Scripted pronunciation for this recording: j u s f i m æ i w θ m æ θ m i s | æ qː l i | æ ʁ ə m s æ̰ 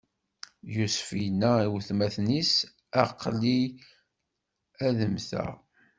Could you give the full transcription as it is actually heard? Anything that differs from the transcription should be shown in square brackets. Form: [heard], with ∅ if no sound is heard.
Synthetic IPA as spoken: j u s f i [n] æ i w θ m æ θ [n] i s | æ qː l i | æ [ð] ə m [θ] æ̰